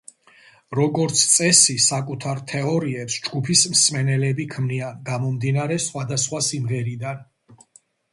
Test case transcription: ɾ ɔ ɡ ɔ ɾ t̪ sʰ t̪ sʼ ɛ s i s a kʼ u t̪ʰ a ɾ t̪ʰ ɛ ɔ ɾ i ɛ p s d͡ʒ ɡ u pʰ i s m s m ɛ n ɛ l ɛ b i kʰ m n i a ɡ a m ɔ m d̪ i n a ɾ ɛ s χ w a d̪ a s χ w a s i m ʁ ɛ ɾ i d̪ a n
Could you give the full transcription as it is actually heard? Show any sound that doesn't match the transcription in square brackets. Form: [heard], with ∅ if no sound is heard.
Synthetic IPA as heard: ɾ ɔ ɡ ɔ ɾ t̪ sʰ t̪ sʼ ɛ s i s a kʼ u t̪ʰ a ɾ t̪ʰ ɛ ɔ ɾ i ɛ p s d͡ʒ ɡ u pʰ i s m s m ɛ n ɛ l ɛ b i kʰ m n i a ɡ a m ɔ m d̪ i n a ɾ ɛ s χ w a d̪ a s χ w a s i m ʁ ɛ ɾ i d̪ a n